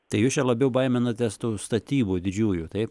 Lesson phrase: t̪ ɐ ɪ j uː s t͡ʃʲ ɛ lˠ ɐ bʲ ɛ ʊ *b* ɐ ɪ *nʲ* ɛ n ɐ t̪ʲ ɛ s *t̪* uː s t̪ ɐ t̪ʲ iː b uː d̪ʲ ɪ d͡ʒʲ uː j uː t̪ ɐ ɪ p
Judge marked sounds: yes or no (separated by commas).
yes, no, yes